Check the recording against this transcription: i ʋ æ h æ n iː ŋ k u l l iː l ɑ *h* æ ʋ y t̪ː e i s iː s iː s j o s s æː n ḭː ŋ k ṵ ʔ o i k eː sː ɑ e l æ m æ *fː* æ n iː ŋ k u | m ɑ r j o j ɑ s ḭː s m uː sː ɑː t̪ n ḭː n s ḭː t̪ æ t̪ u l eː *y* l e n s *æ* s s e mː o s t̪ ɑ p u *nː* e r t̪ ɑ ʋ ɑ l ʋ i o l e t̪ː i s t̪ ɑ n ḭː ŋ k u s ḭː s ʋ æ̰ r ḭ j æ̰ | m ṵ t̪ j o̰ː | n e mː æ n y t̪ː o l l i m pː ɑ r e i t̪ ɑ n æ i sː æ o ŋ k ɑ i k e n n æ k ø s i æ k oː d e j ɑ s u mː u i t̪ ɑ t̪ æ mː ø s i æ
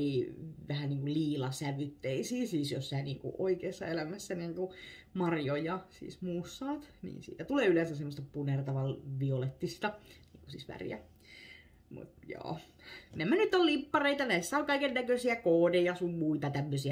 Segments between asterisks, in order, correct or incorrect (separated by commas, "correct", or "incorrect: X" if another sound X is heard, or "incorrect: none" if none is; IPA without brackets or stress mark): incorrect: s, incorrect: sː, correct, correct, incorrect: n